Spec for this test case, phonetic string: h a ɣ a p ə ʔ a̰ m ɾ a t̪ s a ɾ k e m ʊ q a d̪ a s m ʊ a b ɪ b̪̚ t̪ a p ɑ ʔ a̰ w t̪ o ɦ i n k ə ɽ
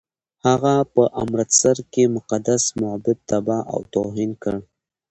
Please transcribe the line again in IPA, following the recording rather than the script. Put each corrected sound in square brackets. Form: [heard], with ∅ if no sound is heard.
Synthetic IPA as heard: h a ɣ a p ə ʔ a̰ m ɾ a t̪ s a ɾ k e m ʊ q a d̪ a s m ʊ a b ɪ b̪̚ t̪ a [b] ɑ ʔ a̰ w t̪ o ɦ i n k ə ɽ